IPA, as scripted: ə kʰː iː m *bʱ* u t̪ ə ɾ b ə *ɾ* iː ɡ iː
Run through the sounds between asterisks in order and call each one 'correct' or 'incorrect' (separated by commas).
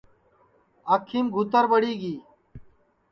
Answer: incorrect, incorrect